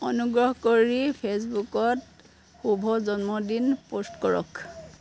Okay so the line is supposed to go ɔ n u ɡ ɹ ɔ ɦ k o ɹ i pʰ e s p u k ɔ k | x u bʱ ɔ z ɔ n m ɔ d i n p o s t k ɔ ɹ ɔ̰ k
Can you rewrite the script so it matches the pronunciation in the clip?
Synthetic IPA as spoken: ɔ n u ɡ ɹ ɔ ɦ k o ɹ i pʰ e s b u k ɔ t | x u bʱ ɔ z ɔ n m ɔ d i n p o s t k ɔ ɹ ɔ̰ k